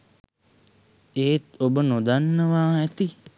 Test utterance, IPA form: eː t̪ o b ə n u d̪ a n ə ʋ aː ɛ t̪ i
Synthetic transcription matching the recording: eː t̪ o b ə n o d̪ a nː ə ʋ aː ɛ t̪ i